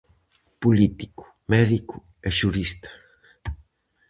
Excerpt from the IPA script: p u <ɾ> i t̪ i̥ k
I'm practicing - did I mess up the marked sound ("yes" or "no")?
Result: yes